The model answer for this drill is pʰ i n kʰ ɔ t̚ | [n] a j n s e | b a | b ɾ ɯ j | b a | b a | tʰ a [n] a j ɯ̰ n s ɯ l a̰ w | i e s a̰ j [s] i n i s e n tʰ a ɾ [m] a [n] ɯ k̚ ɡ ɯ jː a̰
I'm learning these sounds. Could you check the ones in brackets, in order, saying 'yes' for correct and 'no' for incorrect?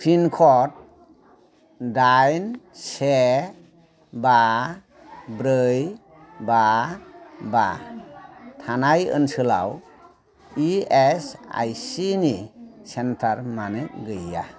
no, yes, yes, yes, yes

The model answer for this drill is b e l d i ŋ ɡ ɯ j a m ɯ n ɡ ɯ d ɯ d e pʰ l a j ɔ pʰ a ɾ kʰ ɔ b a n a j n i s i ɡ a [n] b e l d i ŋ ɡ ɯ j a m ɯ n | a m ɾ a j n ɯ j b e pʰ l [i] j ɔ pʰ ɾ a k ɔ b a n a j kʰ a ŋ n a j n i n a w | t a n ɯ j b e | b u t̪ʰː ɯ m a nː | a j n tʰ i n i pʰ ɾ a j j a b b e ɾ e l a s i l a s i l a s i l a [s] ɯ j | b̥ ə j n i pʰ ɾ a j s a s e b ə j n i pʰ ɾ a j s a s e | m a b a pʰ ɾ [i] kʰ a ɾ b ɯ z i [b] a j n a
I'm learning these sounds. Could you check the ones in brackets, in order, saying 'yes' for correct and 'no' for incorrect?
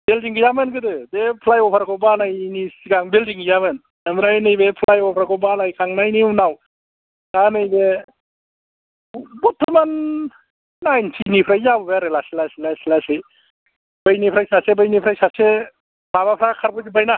no, no, yes, no, yes

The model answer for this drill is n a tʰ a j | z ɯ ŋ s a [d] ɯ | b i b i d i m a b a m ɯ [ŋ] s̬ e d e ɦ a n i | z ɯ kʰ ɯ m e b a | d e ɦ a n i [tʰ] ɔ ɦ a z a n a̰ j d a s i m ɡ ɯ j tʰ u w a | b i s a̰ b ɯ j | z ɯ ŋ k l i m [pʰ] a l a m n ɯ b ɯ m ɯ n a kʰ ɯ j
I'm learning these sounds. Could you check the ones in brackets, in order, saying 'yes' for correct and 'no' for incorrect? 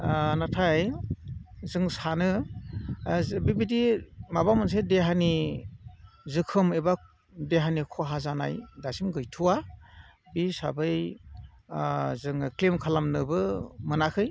no, no, no, no

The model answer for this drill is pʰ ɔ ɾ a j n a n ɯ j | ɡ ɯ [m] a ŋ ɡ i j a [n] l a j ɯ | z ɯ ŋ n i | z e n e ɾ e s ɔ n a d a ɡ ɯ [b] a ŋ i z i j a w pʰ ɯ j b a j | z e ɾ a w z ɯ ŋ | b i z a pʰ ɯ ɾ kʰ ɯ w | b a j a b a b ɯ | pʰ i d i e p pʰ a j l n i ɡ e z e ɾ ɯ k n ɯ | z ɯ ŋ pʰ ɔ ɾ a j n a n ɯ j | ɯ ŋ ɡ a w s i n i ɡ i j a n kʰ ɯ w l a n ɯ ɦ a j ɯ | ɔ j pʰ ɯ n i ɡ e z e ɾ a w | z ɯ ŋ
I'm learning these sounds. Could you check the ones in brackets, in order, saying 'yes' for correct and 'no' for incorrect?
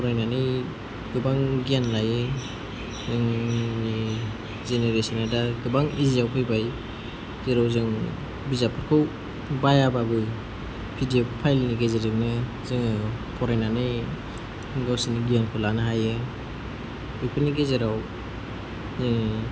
no, yes, yes

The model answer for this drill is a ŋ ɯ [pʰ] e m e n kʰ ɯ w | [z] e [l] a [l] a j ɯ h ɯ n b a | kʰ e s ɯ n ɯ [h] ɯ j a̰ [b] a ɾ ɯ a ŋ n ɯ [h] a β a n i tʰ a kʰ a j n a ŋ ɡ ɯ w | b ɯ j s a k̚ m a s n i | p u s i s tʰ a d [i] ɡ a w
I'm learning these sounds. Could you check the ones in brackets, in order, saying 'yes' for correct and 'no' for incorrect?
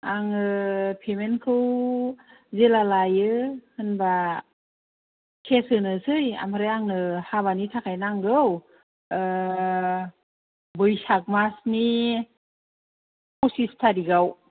yes, yes, yes, yes, no, no, yes, yes

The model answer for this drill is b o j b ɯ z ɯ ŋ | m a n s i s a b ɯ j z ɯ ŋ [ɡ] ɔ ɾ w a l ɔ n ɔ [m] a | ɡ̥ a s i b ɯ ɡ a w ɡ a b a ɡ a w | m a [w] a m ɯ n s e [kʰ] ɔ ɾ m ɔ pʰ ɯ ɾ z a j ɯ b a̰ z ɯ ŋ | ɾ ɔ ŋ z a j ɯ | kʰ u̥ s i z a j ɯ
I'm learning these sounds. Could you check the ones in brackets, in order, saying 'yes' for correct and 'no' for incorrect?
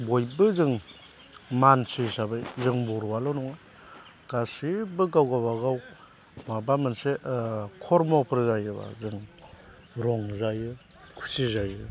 no, no, no, yes

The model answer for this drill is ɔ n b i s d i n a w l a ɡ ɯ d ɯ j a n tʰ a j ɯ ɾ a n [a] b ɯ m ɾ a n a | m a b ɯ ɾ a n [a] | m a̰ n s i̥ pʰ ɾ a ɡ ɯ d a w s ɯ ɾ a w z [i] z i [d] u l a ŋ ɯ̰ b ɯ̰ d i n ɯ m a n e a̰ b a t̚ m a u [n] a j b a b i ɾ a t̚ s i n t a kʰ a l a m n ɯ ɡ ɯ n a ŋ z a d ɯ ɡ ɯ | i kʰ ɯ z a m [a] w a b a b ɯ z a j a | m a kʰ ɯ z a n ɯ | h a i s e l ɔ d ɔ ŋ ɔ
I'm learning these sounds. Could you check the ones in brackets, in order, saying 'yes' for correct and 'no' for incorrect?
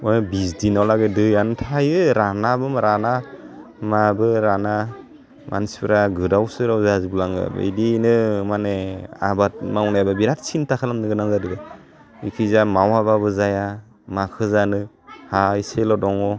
yes, yes, no, no, yes, yes

